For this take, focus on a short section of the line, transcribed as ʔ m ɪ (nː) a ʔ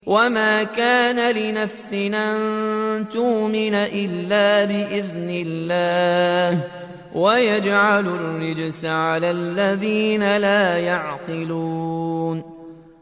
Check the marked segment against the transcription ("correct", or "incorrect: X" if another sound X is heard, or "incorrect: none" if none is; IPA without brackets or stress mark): incorrect: n